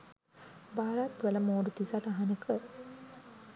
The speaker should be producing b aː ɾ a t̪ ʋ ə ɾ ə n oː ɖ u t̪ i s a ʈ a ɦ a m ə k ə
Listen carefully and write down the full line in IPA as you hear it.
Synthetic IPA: b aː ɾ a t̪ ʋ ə l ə m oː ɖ u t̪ i s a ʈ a ɦ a n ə k ə